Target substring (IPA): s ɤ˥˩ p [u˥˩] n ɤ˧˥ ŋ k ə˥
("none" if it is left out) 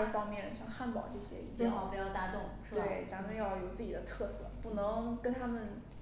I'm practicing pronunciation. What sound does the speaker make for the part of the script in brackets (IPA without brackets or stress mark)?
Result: u˥˩